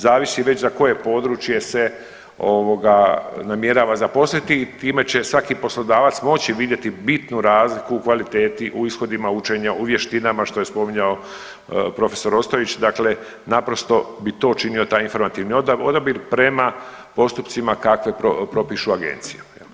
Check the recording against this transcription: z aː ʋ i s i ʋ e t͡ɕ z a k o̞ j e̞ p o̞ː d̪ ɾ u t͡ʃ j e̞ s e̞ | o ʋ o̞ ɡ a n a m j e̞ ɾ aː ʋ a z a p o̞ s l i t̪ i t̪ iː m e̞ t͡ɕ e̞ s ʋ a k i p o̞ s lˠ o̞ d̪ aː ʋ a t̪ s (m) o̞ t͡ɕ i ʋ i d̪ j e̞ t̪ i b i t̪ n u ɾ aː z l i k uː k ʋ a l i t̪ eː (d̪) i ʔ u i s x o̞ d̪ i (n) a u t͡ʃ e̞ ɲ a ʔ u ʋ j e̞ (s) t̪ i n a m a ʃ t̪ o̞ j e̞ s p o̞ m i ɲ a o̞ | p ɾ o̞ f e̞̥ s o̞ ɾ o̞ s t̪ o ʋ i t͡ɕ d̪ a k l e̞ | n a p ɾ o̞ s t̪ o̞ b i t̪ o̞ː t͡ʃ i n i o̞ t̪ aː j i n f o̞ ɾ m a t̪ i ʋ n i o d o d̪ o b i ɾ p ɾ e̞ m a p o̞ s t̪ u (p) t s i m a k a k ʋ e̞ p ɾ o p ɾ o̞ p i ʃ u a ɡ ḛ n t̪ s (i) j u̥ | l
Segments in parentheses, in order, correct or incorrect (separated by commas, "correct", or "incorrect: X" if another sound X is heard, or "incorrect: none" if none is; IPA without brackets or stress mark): correct, incorrect: t̪, incorrect: m, incorrect: ʃ, correct, correct